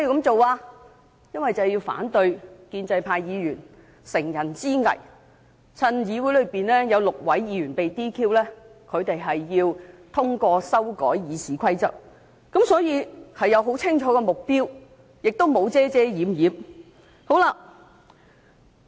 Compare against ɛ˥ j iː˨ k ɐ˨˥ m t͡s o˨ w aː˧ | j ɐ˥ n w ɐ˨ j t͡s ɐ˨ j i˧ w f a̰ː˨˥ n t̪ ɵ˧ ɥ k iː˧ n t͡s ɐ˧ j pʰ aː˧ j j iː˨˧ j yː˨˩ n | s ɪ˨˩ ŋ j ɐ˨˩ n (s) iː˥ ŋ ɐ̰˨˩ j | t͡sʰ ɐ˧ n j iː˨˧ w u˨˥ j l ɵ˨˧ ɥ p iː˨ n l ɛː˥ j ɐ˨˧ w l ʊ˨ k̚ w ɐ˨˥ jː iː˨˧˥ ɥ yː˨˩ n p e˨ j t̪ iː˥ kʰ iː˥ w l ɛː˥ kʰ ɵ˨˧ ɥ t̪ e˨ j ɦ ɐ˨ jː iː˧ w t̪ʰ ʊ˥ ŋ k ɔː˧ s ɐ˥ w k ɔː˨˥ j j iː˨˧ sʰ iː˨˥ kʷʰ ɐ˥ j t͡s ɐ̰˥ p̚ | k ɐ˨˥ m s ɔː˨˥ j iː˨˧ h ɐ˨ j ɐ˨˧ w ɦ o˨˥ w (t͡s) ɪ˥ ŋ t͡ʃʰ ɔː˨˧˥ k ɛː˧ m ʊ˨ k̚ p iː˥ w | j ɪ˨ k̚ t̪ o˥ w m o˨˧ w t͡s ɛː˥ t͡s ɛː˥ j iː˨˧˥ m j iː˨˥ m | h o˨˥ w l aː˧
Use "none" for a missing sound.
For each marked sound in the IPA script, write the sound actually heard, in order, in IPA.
t͡s, t͡sʰ

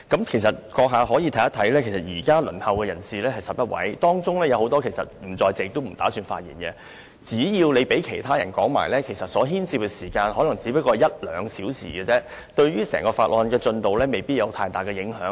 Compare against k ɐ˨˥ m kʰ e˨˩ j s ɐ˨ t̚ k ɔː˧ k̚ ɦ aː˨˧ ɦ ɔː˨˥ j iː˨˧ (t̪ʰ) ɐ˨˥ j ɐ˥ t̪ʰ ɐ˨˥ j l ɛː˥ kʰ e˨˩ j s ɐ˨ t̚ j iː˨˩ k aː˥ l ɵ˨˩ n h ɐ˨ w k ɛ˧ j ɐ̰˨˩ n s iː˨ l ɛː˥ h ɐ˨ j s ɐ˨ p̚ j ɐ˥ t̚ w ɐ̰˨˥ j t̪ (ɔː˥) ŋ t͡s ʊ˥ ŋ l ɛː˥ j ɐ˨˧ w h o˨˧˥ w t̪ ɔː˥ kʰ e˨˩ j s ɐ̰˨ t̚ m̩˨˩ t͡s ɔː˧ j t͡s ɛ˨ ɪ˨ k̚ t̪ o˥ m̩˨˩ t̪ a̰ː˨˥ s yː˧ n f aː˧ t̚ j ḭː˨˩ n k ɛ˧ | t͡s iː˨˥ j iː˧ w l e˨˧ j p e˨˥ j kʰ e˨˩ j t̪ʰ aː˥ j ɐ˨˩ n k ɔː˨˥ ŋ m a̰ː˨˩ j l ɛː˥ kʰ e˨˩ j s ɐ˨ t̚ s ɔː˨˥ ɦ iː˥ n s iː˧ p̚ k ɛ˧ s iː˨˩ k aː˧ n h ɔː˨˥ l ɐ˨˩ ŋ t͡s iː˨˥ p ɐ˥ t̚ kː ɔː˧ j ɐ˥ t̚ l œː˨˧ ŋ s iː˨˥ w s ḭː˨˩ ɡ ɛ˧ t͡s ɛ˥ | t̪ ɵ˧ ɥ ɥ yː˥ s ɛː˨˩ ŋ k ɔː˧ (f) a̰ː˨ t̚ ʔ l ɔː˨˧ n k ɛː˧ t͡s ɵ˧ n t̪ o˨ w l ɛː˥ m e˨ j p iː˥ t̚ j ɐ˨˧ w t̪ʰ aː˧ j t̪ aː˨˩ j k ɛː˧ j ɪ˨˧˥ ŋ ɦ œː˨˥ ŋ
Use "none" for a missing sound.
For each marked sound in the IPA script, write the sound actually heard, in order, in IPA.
t̪ʰ, ɔː˥, f

